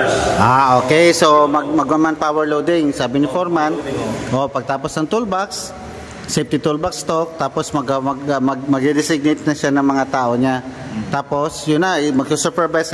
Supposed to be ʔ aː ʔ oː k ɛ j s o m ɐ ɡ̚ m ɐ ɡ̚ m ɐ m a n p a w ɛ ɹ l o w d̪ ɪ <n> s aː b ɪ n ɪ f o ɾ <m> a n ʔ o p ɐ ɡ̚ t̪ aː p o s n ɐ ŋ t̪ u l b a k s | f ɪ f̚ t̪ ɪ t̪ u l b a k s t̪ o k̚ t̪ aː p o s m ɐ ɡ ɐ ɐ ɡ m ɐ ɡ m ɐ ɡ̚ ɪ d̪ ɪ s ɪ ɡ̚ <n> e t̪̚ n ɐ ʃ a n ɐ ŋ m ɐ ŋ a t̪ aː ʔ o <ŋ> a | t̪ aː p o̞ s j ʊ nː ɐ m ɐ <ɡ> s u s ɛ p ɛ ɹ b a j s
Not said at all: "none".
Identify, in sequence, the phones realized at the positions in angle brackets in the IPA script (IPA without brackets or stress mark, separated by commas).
ŋ, m, n, ɲ, ɡ